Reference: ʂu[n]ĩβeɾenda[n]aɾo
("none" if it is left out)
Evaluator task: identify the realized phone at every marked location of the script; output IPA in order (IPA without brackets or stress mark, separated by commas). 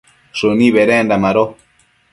n, m